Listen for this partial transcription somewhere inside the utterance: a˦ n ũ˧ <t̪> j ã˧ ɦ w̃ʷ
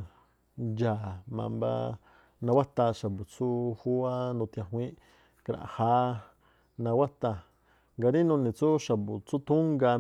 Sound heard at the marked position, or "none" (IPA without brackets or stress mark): t̪